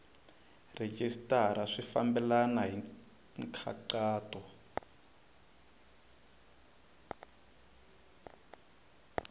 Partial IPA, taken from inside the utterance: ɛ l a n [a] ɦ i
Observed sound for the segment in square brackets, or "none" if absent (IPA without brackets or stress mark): a